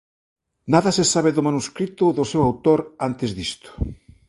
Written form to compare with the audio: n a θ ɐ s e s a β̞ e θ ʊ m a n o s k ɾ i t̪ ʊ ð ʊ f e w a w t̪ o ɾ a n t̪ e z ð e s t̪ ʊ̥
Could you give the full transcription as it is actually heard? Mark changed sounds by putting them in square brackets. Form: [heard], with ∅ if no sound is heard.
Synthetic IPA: n a [ð] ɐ s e s a β̞ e [ð] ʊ m a n [u] s k ɾ i t̪ ʊ ð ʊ [s] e w a w t̪ o ɾ a n t̪ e z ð [i] s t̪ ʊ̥